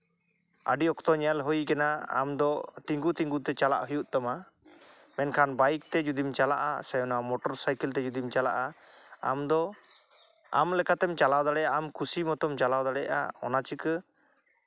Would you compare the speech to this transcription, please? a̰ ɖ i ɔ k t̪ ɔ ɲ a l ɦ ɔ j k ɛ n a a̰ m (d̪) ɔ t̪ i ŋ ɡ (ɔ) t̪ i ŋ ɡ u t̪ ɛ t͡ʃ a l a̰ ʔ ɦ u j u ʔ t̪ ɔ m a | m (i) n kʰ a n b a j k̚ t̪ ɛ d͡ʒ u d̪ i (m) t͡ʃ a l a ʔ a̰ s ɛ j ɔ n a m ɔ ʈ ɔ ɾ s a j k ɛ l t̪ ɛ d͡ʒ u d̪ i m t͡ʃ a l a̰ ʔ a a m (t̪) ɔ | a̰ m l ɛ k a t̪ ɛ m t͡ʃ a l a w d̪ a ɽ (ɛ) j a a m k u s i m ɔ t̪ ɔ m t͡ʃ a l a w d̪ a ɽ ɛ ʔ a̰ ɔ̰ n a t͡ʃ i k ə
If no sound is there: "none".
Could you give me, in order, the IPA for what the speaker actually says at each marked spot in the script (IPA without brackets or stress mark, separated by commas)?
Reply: d̪, u, ɛ, m, d̪, ɛ